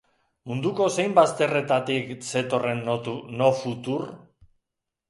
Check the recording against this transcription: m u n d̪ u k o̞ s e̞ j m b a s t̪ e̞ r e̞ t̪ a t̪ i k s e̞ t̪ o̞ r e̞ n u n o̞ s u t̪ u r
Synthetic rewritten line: m u n d̪ u k o̞ s e̞ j m b a s t̪ e̞ r e̞ t̪ a t̪ i k s e̞ t̪ o̞ r e̞ n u n o̞ f u t̪ u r